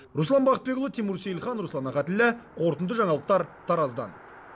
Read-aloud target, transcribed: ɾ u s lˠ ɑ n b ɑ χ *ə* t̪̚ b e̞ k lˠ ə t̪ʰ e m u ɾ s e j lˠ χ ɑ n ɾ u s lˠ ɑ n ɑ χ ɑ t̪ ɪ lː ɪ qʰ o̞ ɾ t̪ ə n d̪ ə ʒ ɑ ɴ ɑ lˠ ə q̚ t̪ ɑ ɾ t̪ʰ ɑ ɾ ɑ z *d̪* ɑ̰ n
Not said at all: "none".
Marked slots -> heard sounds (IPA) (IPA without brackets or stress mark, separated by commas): ə, d̪